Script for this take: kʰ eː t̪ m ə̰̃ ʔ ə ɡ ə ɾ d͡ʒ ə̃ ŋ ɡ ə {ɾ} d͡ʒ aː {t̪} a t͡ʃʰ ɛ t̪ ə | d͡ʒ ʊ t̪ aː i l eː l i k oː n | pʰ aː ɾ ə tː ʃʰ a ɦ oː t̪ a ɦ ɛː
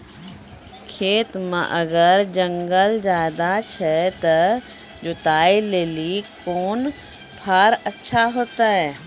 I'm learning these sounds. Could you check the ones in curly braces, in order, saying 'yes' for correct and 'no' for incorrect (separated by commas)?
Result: no, no